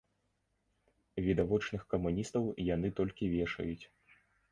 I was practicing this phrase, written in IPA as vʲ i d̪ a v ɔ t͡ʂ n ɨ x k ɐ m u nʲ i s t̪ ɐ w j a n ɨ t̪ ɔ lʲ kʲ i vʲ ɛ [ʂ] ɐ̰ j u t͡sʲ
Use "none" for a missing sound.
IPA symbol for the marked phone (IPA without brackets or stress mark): ʂ